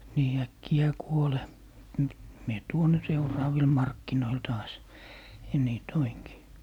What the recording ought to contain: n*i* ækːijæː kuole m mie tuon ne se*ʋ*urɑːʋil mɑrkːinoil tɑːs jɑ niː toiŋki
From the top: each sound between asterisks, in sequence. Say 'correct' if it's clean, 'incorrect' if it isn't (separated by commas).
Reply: incorrect, incorrect